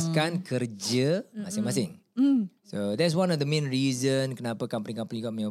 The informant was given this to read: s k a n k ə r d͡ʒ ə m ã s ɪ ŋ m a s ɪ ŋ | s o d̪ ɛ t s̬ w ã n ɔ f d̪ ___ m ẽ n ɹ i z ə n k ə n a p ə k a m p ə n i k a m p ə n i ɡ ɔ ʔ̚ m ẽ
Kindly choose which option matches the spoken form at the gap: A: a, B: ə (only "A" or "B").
B